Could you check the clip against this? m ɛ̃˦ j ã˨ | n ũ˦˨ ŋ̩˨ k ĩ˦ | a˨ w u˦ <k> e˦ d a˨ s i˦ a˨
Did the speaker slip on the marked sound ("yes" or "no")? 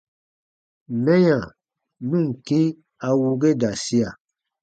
yes